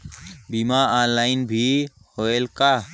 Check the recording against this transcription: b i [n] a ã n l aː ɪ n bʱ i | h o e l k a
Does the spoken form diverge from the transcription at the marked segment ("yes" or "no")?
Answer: yes